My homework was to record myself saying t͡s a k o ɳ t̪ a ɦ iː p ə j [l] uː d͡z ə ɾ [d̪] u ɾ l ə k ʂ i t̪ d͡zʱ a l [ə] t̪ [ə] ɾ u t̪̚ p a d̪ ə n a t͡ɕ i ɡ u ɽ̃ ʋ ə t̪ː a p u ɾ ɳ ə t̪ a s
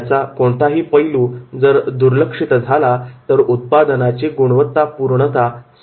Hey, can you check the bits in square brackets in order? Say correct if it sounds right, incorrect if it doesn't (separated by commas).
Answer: correct, correct, incorrect, correct